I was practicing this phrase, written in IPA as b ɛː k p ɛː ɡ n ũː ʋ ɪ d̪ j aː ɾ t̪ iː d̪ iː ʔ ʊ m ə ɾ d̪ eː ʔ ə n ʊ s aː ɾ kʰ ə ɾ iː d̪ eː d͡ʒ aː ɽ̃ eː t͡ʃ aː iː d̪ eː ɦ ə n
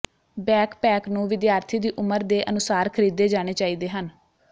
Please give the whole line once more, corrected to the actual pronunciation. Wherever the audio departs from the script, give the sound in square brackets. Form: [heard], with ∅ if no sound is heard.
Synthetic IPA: b ɛː k p ɛː [k] n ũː ʋ ɪ d̪ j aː ɾ [t̪ʰ] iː d̪ iː ʔ ʊ m ə ɾ d̪ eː ʔ ə n ʊ s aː ɾ kʰ ə ɾ iː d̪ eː d͡ʒ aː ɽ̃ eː t͡ʃ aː iː d̪ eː ɦ ə n